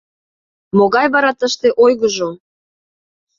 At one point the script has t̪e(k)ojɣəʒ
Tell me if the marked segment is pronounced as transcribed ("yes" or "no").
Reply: no